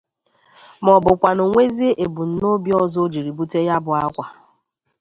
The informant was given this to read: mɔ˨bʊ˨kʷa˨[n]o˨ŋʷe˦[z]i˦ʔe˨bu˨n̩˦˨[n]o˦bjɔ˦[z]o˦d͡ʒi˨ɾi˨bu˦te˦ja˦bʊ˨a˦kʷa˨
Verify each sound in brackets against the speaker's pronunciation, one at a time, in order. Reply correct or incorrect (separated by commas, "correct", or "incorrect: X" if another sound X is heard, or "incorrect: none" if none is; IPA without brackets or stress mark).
correct, correct, correct, correct